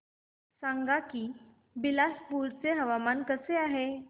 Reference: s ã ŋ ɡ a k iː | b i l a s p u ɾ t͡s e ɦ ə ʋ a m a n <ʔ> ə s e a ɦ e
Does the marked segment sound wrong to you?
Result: yes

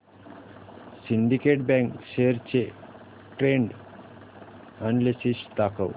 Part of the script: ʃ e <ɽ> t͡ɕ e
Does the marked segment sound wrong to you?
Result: yes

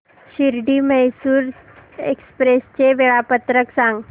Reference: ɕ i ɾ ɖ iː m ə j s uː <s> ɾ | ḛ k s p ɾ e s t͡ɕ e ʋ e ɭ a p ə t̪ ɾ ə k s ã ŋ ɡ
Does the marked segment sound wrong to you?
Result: yes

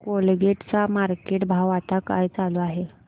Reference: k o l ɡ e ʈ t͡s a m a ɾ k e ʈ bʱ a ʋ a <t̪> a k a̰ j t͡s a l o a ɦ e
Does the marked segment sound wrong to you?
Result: no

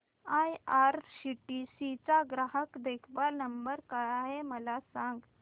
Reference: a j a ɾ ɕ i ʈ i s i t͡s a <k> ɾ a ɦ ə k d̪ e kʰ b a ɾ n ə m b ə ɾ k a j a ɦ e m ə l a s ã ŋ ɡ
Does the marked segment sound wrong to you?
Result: yes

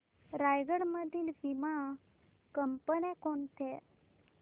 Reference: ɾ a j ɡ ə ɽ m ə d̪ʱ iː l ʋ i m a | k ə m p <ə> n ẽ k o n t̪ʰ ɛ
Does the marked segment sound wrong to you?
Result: no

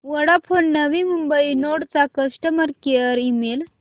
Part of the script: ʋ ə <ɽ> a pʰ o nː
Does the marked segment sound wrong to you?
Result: no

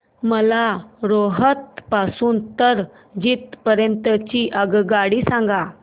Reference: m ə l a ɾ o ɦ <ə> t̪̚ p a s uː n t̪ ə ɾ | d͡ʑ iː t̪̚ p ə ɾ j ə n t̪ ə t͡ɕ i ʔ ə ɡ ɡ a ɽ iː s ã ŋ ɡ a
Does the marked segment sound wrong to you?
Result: no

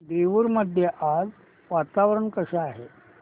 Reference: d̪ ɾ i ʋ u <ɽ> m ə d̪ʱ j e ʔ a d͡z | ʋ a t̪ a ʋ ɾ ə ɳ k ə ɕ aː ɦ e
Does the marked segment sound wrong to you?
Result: yes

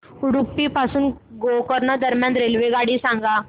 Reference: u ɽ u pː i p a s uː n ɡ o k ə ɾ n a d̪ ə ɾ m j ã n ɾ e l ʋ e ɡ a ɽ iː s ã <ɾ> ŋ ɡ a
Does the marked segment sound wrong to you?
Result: yes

